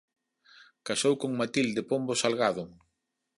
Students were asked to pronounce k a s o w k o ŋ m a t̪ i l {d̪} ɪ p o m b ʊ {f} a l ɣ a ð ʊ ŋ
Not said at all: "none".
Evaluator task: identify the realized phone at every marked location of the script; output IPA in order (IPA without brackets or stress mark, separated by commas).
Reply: d̪, s